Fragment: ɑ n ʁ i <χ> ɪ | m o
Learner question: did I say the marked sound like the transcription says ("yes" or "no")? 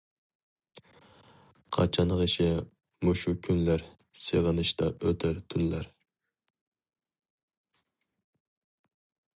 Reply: no